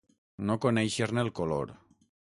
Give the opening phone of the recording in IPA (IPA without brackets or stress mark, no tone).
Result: n